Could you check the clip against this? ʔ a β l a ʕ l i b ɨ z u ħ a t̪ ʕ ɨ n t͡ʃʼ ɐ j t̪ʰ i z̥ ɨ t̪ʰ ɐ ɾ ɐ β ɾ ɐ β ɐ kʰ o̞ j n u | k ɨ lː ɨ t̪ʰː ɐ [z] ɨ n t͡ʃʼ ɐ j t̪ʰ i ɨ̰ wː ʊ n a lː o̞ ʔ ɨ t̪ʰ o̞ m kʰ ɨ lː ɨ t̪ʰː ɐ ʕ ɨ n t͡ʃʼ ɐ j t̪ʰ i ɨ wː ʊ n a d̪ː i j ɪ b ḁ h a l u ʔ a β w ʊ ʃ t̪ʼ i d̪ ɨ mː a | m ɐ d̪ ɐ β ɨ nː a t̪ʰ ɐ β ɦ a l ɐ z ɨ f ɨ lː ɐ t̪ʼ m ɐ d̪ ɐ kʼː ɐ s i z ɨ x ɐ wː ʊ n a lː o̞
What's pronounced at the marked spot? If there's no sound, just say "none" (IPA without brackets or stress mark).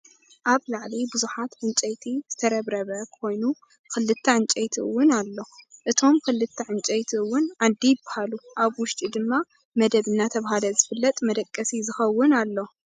ʕ